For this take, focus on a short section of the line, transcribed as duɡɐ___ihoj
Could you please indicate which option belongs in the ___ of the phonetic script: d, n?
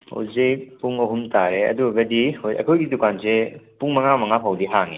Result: d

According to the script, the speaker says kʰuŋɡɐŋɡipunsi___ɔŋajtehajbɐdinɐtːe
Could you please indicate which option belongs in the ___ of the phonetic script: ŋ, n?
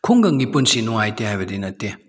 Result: n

